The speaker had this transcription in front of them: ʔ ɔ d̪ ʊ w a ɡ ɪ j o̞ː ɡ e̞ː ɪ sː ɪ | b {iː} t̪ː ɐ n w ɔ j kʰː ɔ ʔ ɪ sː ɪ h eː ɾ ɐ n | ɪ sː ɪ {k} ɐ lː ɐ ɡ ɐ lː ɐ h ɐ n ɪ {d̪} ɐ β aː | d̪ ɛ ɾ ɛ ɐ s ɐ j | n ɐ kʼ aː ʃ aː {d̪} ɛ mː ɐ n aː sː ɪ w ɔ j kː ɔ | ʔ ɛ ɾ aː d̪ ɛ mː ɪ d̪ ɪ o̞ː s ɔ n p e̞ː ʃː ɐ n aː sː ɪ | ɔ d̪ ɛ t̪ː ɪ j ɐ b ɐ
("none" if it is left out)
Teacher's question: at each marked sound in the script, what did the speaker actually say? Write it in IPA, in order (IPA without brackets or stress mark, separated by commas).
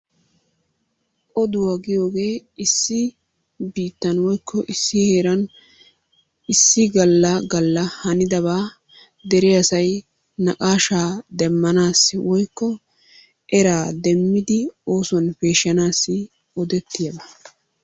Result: iː, ɡ, d̪, d̪